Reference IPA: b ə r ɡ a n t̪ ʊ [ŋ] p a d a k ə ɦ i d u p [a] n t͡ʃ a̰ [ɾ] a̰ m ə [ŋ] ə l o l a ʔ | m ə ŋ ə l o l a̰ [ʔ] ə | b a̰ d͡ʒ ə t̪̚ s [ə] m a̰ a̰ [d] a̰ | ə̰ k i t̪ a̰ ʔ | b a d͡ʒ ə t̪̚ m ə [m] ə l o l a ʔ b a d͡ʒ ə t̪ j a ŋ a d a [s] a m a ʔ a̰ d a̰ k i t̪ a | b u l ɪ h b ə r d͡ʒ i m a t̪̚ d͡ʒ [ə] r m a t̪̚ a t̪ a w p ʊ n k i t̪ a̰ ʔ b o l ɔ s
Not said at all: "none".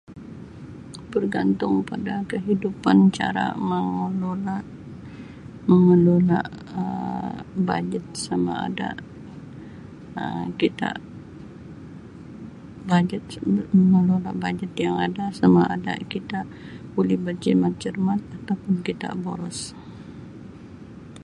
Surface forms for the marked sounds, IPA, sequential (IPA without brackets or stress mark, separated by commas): ŋ, a, ɾ, ŋ, ʔ, a, d, ŋ, s, ə